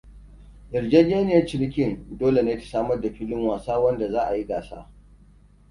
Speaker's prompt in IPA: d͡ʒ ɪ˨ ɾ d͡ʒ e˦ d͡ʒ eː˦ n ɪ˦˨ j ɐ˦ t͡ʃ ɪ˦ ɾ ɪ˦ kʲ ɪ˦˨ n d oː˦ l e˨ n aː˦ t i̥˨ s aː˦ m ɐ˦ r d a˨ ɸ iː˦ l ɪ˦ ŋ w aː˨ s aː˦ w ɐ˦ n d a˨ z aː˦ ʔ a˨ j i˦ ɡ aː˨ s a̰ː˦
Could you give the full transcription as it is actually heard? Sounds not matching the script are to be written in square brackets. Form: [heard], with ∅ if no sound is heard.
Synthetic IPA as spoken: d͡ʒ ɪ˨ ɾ d͡ʒ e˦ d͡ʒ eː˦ n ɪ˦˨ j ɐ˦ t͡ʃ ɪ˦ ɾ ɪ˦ kʲ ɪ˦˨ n d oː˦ l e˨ n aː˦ t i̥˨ s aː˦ m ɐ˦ r d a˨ ɸ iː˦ l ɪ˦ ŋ w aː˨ s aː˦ w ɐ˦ n d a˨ z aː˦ ʔ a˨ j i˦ ɡ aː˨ s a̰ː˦